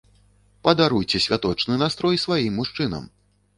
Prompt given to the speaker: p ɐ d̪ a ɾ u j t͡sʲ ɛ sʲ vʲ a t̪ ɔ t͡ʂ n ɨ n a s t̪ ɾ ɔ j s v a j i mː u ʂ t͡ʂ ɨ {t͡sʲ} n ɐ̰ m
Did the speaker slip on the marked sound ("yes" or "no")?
yes